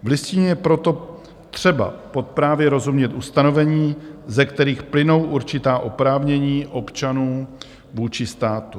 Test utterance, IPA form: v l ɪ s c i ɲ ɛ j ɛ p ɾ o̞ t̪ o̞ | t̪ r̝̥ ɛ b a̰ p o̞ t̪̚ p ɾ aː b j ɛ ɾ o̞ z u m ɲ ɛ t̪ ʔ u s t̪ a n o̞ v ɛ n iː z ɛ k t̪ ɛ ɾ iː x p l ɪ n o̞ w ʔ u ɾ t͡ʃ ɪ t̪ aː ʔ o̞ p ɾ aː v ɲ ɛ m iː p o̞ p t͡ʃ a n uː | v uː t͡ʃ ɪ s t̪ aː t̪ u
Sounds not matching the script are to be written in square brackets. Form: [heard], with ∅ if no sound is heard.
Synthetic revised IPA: v l ɪ s c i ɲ ɛ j ɛ p ɾ o̞ t̪ o̞ | t̪ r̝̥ ɛ b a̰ p o̞ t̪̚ p ɾ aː [v] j ɛ ɾ o̞ z u m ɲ ɛ t̪ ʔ u s t̪ a n o̞ v ɛ [ɲ] iː z ɛ k t̪ ɛ ɾ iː x p l ɪ n o̞ w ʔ u ɾ t͡ʃ ɪ t̪ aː ʔ o̞ p ɾ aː v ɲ ɛ [ɲ] iː [ʔ] o̞ p t͡ʃ a n uː | v uː t͡ʃ ɪ s t̪ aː t̪ u

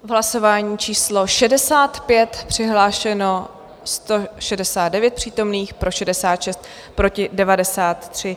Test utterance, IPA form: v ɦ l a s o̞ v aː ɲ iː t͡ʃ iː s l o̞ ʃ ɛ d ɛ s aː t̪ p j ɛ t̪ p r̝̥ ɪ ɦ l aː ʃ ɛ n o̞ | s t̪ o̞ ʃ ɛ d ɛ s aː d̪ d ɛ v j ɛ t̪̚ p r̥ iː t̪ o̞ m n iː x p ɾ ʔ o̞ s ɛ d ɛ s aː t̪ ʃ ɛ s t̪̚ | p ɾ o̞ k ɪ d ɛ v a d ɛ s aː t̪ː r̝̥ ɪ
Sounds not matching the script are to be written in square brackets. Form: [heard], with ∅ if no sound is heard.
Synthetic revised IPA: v ɦ l a s o̞ v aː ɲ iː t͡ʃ iː s l o̞ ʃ ɛ d ɛ s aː t̪ p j ɛ t̪ p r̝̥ ɪ ɦ l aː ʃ ɛ n o̞ | s t̪ o̞ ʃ ɛ d ɛ s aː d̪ d ɛ v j ɛ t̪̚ p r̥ iː t̪ o̞ m n iː x p ɾ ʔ o̞ [ʃ] ɛ d ɛ s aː t̪ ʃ ɛ s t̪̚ | p ɾ o̞ [c] ɪ d ɛ v a d ɛ s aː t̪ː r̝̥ ɪ

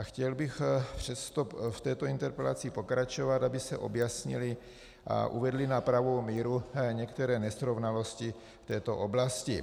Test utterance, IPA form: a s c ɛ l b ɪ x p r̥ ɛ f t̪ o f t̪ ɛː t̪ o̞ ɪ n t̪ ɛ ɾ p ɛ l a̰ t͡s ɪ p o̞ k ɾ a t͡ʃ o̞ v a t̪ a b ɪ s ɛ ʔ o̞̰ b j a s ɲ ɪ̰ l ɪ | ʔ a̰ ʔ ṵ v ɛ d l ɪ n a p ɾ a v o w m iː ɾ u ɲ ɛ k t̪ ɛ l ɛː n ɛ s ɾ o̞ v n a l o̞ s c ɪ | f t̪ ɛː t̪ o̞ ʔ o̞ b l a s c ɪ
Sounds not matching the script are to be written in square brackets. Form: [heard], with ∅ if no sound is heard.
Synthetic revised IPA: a [x] c ɛ l b ɪ x p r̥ ɛ [s] t̪ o f t̪ ɛː t̪ o̞ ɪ n t̪ ɛ ɾ p ɛ l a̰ t͡s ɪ p o̞ k ɾ a t͡ʃ o̞ v a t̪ a b ɪ s ɛ ʔ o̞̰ b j a s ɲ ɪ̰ l ɪ | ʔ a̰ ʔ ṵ v ɛ d l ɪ n a p ɾ a v o w m iː ɾ u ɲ ɛ k t̪ ɛ [ɾ] ɛː n ɛ s ɾ o̞ v n a l o̞ s c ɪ | f t̪ ɛː t̪ o̞ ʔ o̞ b l a s c ɪ

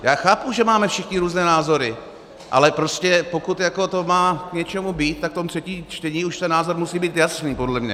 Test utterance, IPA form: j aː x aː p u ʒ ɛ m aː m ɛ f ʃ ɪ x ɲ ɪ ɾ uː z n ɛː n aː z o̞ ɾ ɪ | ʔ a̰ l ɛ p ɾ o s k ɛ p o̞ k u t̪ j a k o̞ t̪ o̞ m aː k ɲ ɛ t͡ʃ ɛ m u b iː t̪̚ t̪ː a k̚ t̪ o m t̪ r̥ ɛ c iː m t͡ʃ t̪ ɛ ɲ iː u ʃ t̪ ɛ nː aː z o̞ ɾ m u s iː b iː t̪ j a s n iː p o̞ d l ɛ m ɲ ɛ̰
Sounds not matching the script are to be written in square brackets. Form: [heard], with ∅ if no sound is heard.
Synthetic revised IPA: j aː x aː p u ʒ ɛ m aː m ɛ f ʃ ɪ x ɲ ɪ ɾ uː z n ɛː n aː z o̞ ɾ ɪ | ʔ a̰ l ɛ p ɾ o s [c] ɛ p o̞ k u t̪ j a k o̞ t̪ o̞ m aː k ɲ ɛ t͡ʃ ɛ m u b iː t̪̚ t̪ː a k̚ t̪ o m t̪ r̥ ɛ c iː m t͡ʃ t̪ ɛ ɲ iː u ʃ t̪ ɛ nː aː z o̞ ɾ m u s iː b iː t̪ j a s n iː p o̞ d l ɛ m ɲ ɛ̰

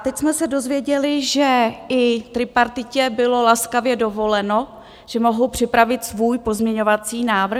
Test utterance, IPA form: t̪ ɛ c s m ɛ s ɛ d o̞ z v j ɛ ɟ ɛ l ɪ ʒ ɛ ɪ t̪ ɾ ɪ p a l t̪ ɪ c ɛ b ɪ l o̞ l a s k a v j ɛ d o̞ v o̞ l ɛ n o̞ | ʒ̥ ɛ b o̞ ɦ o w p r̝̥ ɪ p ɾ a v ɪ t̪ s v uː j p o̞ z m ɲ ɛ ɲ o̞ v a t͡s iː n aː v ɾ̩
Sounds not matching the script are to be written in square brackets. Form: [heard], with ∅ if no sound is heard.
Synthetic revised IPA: t̪ ɛ c s m ɛ s ɛ d o̞ z v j ɛ ɟ ɛ l ɪ ʒ ɛ ɪ t̪ ɾ ɪ p a [ɾ] t̪ ɪ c ɛ b ɪ l o̞ l a s k a v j ɛ d o̞ v o̞ l ɛ n o̞ | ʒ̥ ɛ [m] o̞ ɦ o w p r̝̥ ɪ p ɾ a v ɪ t̪ s v uː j p o̞ z m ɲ ɛ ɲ o̞ v a t͡s iː n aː v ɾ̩

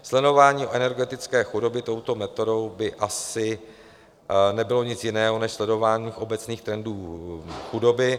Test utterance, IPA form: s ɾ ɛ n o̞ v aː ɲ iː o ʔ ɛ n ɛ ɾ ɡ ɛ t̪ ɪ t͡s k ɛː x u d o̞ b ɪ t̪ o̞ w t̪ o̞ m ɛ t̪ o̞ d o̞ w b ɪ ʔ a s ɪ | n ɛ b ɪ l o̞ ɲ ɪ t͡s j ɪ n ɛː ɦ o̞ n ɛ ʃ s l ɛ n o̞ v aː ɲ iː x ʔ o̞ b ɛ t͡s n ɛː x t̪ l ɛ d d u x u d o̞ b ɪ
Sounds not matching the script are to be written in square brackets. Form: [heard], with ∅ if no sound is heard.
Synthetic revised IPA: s [l] ɛ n o̞ v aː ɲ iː o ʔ ɛ n ɛ ɾ ɡ ɛ t̪ ɪ t͡s k ɛː x u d o̞ b ɪ t̪ o̞ w t̪ o̞ m ɛ t̪ o̞ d o̞ w b ɪ ʔ a s ɪ | n ɛ b ɪ l o̞ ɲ ɪ t͡s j ɪ n ɛː ɦ o̞ n ɛ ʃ s l ɛ [d] o̞ v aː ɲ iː x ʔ o̞ b ɛ t͡s n [iː] x t̪ [ɾ] ɛ [n] d [uː] x u d o̞ b ɪ

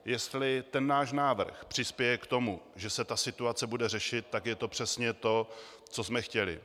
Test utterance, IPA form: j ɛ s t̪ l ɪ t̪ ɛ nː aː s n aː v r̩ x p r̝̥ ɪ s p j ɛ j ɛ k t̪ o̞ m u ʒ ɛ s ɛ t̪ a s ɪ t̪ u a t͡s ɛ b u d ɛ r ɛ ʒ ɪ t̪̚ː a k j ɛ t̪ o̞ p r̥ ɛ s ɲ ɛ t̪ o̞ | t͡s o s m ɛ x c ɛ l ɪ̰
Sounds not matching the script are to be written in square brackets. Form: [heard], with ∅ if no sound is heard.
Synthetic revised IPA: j ɛ s t̪ l ɪ t̪ ɛ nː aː [ʃ] n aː v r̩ x p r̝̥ ɪ s p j ɛ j ɛ k t̪ o̞ m u ʒ ɛ s ɛ t̪ a s ɪ t̪ u a t͡s ɛ b u d ɛ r ɛ [ʃ] ɪ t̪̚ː a k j ɛ t̪ o̞ p r̥ ɛ s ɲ ɛ t̪ o̞ | t͡s o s m ɛ x c ɛ l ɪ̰

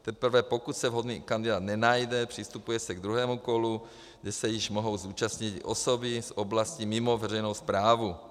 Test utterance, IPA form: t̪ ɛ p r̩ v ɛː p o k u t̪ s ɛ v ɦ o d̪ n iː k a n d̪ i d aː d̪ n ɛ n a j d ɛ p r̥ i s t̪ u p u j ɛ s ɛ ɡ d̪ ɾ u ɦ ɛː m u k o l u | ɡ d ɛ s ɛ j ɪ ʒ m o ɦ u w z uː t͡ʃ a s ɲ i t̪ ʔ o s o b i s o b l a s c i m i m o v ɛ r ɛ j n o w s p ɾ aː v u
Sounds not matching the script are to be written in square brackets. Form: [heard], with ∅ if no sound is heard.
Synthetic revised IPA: t̪ ɛ p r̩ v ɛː p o k u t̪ s ɛ v ɦ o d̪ n iː k a n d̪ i d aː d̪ n ɛ n a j d ɛ p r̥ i s t̪ u p u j ɛ s ɛ ɡ d̪ ɾ u ɦ ɛː m u k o l u | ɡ d ɛ s ɛ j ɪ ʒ m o ɦ [o] w z uː t͡ʃ a s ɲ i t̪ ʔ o s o b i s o b l a s c i m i m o v ɛ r ɛ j n o w s p ɾ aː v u

